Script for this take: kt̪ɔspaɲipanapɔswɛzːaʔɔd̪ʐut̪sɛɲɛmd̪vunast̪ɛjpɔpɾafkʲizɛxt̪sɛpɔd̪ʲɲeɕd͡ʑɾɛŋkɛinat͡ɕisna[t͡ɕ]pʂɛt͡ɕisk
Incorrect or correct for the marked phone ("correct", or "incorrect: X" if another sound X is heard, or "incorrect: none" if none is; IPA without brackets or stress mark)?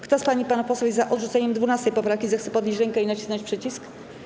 correct